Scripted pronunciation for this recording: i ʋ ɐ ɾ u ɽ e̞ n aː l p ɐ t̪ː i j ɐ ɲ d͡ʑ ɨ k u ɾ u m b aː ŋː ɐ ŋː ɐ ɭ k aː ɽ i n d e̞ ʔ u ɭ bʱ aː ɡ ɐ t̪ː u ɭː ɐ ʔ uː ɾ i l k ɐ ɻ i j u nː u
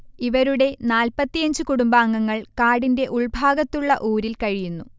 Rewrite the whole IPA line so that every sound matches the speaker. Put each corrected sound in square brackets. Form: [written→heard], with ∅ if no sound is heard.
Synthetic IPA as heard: i ʋ ɐ ɾ u ɽ e̞ n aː l p ɐ t̪ː i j ɐ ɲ d͡ʑ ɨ k u [ɾ→ɽ] u m b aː ŋː ɐ ŋː ɐ ɭ k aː ɽ i n d e̞ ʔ u ɭ bʱ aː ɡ ɐ t̪ː u ɭː ɐ ʔ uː ɾ i l k ɐ ɻ i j u nː u